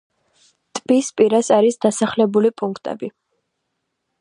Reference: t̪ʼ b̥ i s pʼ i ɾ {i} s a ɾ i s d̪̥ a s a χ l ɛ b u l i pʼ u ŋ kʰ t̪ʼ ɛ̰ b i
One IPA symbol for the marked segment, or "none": a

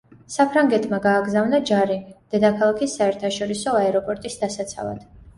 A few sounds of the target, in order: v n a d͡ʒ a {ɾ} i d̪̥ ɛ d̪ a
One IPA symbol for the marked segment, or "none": ɾ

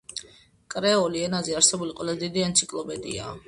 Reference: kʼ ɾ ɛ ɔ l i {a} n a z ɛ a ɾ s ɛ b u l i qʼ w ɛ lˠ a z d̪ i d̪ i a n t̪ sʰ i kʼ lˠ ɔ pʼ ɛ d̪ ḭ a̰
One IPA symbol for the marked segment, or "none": ɛ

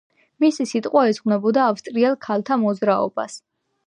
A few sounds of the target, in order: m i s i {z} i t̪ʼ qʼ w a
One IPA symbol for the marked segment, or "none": s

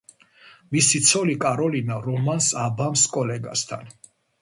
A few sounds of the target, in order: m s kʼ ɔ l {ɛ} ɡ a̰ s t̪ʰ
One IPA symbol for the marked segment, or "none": ɛ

